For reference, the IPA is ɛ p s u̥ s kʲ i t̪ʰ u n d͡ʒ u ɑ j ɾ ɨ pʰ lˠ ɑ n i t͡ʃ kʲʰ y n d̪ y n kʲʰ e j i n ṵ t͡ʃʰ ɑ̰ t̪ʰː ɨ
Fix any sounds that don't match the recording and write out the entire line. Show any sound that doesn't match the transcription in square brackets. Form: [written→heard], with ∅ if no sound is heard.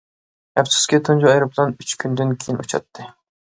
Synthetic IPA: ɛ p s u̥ s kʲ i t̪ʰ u n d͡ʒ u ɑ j ɾ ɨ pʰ lˠ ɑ n [i→y] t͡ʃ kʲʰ y n d̪ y n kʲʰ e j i n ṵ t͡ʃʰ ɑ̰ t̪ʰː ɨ